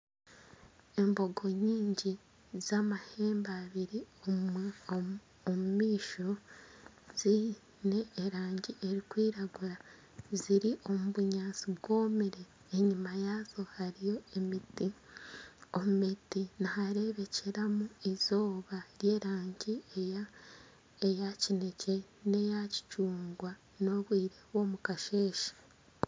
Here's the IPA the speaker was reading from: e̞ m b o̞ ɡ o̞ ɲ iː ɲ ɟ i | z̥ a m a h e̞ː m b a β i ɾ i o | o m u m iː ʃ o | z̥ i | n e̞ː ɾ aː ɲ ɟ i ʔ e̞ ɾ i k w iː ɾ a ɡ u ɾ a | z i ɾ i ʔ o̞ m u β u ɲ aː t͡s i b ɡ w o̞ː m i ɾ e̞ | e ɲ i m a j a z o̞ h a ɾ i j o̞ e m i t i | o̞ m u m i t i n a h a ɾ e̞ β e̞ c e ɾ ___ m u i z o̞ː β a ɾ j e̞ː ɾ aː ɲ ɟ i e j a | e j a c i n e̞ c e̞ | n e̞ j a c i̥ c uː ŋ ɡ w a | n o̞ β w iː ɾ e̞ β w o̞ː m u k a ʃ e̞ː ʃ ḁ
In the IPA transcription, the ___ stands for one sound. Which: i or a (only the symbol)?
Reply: a